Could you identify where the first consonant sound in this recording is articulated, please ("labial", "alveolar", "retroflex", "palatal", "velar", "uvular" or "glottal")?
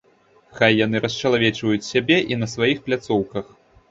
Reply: velar